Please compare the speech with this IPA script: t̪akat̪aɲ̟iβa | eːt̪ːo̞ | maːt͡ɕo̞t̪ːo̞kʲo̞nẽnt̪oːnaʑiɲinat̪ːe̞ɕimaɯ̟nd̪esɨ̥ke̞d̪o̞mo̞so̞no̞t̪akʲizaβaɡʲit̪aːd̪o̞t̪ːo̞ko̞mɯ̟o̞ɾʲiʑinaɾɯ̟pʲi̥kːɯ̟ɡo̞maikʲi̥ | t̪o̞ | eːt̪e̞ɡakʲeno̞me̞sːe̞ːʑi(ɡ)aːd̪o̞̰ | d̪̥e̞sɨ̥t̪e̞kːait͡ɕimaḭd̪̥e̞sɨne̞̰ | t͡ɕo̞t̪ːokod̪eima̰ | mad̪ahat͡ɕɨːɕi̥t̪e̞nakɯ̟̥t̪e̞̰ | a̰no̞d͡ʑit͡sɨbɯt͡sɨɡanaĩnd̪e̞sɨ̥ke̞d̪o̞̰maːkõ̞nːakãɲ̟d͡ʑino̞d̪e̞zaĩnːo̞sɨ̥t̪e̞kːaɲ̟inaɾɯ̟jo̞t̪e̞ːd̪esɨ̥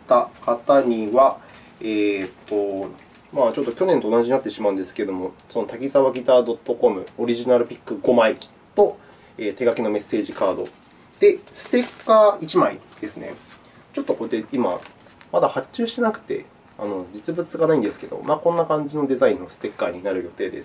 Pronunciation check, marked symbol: incorrect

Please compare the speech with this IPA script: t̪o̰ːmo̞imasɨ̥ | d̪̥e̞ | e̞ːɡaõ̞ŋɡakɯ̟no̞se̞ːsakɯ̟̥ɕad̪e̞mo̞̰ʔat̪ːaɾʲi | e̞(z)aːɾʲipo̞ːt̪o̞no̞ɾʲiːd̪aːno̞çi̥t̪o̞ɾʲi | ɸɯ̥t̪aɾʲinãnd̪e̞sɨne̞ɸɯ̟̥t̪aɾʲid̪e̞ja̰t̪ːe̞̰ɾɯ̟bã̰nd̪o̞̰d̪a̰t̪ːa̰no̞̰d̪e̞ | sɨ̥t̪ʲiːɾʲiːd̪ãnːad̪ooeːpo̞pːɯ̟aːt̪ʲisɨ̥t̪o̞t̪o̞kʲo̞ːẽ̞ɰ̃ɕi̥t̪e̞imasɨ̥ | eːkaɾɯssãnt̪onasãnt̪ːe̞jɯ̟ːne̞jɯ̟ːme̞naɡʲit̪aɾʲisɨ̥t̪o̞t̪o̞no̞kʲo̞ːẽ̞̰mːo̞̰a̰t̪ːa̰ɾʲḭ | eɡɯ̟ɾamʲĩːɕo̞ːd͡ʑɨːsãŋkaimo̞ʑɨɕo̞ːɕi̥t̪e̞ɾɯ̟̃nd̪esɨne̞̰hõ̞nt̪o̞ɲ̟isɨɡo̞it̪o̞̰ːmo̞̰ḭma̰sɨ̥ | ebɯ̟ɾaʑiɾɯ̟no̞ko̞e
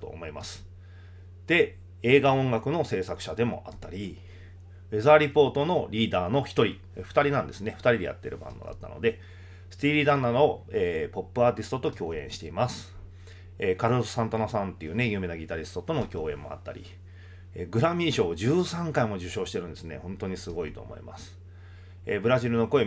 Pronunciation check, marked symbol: correct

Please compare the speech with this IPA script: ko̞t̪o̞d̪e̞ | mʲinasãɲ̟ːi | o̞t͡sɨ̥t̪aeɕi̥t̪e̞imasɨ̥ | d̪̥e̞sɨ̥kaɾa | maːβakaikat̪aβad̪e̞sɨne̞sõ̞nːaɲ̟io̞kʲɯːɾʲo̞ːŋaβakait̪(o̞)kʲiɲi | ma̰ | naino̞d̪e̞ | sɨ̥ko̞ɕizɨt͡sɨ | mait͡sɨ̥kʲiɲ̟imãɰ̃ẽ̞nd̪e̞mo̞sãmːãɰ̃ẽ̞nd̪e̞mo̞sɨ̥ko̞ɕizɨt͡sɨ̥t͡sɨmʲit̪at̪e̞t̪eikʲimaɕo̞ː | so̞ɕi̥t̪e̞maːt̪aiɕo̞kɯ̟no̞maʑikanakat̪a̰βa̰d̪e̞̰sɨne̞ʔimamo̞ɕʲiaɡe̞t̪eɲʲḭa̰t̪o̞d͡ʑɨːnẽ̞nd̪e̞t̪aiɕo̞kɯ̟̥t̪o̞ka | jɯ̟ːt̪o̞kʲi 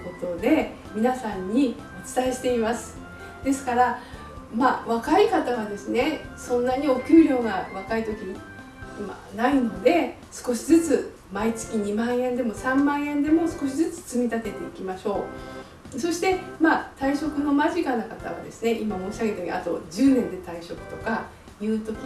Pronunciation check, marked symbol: correct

